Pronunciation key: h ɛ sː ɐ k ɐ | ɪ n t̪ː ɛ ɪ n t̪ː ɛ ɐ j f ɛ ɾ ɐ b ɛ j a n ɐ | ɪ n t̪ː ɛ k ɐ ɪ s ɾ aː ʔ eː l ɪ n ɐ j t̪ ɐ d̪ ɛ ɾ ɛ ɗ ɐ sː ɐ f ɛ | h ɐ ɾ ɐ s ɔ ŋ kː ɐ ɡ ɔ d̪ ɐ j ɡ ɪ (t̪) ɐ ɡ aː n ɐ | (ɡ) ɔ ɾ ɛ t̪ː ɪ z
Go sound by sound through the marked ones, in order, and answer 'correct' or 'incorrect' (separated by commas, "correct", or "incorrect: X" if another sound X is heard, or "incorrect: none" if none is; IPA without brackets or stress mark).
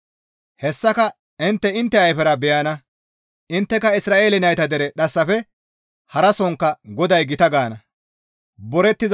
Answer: correct, incorrect: b